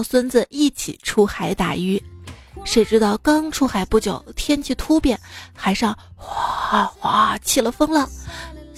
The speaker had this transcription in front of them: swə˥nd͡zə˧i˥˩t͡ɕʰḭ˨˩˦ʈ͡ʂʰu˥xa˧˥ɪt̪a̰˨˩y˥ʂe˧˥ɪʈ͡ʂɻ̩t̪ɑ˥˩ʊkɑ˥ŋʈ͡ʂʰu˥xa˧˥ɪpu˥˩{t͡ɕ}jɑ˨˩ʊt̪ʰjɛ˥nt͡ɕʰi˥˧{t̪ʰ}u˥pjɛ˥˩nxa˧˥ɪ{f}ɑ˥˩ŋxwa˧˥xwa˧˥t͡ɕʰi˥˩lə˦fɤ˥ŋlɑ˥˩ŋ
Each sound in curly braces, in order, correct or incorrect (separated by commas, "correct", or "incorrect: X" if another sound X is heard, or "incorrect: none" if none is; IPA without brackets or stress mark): correct, correct, incorrect: ʂ